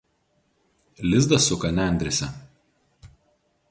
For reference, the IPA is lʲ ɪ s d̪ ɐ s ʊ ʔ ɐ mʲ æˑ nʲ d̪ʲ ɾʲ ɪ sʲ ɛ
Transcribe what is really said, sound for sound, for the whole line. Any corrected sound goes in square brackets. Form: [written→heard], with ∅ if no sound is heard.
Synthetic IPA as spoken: lʲ ɪ [s→z] d̪ ɐ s ʊ [ʔ→k] ɐ [mʲ→nʲ] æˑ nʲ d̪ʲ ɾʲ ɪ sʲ ɛ